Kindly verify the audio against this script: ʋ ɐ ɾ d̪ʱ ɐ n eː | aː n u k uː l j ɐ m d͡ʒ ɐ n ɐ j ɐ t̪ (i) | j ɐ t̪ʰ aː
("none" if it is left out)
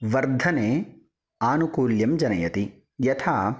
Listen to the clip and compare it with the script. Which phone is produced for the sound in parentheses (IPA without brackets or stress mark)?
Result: i